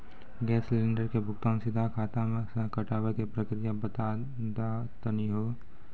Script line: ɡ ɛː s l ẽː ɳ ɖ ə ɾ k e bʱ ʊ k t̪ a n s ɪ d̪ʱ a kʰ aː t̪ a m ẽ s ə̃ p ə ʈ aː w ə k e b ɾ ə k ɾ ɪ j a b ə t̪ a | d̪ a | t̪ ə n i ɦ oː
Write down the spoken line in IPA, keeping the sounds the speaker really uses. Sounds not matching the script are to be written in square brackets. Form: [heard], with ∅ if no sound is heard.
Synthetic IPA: ɡ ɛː s l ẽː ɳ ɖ ə ɾ k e bʱ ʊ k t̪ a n s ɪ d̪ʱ a kʰ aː t̪ a m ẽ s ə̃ [k] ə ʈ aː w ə k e [p] ɾ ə k ɾ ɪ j a b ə t̪ a | d̪ a | t̪ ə n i ɦ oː